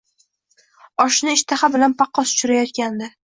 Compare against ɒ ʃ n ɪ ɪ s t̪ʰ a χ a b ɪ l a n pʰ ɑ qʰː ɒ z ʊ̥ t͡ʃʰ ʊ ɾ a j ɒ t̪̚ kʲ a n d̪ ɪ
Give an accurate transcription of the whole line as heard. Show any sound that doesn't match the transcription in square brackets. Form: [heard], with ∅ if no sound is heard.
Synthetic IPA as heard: ɒ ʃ n ɪ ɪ [ʃ] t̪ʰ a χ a b ɪ l a n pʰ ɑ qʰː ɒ [s] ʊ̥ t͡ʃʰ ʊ ɾ a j ɒ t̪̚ kʲ a n d̪ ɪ